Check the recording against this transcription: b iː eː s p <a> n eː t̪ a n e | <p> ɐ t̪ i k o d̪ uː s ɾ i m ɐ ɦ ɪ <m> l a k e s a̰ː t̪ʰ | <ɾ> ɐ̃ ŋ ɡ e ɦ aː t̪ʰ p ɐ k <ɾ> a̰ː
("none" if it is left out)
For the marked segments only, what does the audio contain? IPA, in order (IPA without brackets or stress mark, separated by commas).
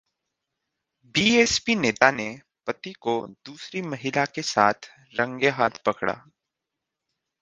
i, p, none, ɾ, ɽ